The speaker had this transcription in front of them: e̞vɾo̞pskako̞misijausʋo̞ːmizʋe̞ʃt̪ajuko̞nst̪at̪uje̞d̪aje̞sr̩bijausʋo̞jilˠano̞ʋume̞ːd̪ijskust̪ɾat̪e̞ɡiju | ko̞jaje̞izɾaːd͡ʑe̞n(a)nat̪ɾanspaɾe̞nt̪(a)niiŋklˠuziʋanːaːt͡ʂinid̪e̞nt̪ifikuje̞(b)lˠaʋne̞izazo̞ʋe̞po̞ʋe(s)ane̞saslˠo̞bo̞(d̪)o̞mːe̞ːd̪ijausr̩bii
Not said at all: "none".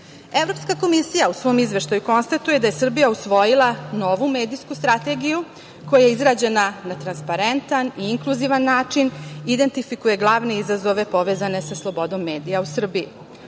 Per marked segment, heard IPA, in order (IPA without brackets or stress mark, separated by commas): a, a, ɡ, z, d̪